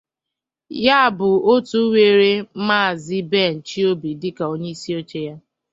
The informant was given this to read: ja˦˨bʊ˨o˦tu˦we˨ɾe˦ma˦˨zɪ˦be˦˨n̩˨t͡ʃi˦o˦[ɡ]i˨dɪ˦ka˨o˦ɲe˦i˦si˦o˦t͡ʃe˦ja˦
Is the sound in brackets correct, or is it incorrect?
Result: incorrect